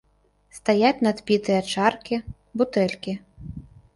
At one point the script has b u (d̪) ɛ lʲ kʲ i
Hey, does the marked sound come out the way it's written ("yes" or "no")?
no